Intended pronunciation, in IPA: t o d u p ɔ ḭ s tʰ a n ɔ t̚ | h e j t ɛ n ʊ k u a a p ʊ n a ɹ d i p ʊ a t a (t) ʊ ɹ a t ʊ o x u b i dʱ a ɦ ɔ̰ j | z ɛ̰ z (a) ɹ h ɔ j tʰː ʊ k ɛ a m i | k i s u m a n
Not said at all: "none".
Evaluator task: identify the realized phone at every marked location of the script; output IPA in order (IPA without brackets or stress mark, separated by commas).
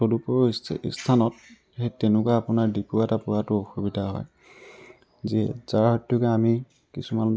p, a